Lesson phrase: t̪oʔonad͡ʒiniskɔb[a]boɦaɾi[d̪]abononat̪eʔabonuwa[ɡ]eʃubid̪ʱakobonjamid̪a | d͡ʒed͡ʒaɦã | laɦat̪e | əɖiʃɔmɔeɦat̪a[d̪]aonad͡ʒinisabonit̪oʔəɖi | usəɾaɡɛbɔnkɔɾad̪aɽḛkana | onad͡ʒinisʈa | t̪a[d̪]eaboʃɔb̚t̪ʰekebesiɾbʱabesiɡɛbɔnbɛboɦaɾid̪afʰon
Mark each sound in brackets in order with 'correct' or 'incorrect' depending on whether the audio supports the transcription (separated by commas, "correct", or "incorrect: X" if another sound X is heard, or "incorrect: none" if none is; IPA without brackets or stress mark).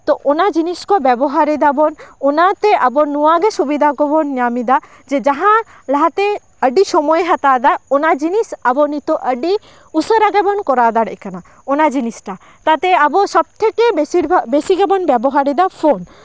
incorrect: ɛ, correct, correct, correct, incorrect: t̪